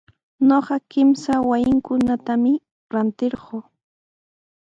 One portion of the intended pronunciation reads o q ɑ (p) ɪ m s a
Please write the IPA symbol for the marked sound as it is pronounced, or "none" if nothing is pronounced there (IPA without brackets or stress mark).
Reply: k